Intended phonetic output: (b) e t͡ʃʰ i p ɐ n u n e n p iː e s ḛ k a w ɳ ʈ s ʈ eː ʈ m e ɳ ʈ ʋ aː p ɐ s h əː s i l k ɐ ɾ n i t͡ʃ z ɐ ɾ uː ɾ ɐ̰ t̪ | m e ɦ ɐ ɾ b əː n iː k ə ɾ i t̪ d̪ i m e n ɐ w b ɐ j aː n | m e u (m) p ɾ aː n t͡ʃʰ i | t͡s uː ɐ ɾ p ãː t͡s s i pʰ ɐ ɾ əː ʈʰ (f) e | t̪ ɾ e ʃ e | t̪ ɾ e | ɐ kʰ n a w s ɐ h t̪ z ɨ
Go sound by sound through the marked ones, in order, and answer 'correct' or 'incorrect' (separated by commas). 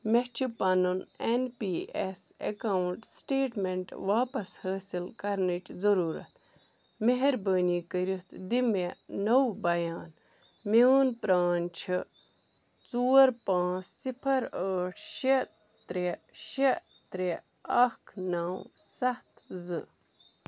incorrect, incorrect, incorrect